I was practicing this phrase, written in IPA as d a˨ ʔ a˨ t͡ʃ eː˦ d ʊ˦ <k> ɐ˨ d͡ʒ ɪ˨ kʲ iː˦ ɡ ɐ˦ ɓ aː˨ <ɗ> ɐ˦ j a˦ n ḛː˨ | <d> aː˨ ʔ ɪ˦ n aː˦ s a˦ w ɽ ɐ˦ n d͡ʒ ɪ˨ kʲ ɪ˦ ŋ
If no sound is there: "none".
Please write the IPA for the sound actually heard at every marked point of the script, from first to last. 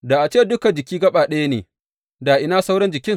k, ɗ, d

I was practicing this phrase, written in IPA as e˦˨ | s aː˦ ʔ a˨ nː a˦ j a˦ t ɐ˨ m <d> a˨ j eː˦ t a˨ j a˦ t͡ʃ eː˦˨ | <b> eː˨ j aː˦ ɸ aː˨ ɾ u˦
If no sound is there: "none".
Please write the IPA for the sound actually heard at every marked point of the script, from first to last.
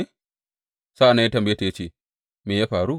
b, m

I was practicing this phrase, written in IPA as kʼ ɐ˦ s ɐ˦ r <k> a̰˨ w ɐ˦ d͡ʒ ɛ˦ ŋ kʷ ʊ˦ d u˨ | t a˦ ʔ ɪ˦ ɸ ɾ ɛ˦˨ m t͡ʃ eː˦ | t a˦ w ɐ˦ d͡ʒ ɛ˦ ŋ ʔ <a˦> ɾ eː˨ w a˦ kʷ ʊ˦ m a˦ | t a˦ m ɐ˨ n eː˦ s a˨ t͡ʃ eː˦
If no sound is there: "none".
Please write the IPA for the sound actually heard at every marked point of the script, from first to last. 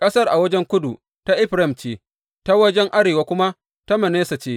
ʔ, a˦

